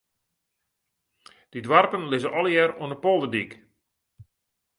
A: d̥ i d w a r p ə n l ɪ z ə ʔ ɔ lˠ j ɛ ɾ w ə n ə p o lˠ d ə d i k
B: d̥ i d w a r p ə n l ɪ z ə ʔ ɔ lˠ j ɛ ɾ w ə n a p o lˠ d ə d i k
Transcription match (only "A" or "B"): A